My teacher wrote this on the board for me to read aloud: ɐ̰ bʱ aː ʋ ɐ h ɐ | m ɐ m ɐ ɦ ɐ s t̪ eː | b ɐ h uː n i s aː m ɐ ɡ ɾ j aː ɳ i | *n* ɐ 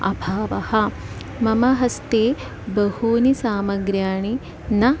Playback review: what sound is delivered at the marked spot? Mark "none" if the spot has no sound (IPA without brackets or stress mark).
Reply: n